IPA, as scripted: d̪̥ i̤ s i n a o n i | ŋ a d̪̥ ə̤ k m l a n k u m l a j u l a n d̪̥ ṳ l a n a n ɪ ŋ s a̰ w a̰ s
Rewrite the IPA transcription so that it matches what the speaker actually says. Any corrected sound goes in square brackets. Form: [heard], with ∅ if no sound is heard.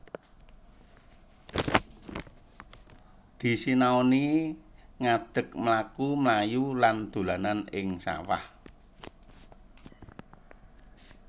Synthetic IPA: d̪̥ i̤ s i n a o n i | ŋ a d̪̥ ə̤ k m l a [∅] k u m l a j u l a n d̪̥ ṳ l a n a n ɪ ŋ s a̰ w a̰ [h]